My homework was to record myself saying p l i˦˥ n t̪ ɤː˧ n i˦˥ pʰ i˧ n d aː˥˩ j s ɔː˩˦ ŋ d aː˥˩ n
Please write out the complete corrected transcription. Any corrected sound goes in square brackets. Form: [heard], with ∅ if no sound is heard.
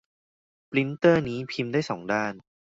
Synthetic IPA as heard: p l i˦˥ n t̪ [ɤː˥˩] n [iː˦˥] pʰ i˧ [m] d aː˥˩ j s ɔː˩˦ ŋ d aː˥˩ n